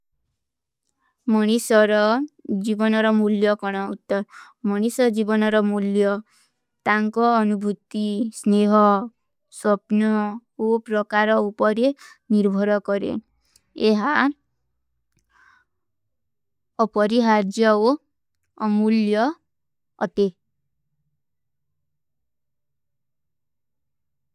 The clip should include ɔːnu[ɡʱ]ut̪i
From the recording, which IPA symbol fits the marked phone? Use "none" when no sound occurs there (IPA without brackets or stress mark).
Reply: bʱ